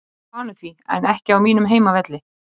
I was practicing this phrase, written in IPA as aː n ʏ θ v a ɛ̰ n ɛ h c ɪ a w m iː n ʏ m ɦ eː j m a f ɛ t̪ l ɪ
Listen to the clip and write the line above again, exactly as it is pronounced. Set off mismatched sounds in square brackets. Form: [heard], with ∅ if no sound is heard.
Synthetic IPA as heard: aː n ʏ θ v [i] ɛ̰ n ɛ h c ɪ a w m iː n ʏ m ɦ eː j m a [v] ɛ t̪ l ɪ